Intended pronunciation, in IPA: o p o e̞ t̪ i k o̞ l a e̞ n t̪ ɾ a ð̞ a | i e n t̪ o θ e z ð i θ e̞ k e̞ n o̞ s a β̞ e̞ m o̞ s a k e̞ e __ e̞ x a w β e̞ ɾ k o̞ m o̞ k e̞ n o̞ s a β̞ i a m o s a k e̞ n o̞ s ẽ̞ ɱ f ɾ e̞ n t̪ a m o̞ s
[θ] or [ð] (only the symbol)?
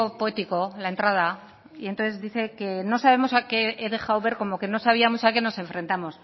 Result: ð